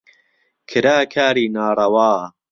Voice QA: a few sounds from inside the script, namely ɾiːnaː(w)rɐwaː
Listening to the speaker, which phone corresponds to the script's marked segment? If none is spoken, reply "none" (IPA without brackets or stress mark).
none